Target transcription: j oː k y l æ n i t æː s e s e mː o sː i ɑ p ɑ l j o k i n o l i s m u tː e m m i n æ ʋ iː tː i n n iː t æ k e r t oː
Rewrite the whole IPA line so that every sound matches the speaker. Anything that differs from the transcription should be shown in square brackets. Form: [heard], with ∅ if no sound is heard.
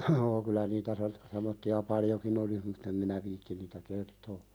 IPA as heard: j oː k y l æ n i t [æ] s e s e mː o [tː] i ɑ p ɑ l j o k i n o l i s m u tː e m m i n æ ʋ iː tː i n n iː t æ k e r t oː